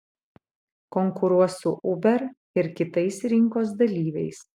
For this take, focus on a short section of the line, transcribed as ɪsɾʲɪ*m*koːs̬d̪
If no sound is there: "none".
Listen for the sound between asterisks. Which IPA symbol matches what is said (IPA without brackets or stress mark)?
ŋ